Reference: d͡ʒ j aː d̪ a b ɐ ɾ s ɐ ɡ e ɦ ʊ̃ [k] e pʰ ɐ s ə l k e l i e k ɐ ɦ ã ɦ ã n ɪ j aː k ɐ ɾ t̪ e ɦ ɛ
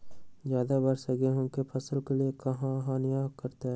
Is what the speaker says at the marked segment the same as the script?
yes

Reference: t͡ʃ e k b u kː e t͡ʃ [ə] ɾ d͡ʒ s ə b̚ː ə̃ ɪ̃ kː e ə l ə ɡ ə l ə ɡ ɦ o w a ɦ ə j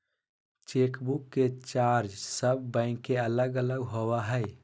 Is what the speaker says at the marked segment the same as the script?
no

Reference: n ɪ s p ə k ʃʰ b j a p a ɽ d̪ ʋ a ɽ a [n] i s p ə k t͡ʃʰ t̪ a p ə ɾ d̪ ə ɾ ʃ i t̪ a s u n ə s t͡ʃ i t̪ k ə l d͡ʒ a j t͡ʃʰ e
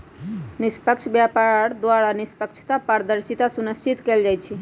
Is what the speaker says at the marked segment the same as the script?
yes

